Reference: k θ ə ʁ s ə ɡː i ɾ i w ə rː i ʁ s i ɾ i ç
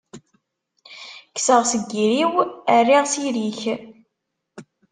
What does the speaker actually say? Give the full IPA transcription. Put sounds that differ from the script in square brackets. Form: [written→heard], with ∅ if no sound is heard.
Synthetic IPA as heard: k [θ→s] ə ʁ s ə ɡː i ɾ i w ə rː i ʁ s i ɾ i ç